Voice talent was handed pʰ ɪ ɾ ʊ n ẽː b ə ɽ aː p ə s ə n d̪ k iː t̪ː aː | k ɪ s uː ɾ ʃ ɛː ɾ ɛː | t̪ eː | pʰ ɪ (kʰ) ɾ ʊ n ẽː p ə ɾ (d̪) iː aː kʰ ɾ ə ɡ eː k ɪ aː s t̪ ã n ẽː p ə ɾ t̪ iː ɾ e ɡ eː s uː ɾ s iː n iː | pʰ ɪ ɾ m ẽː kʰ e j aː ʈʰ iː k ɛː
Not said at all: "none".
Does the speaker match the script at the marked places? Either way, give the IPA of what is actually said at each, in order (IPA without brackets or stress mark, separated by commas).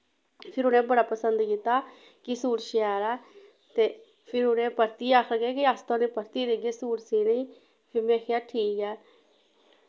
none, t̪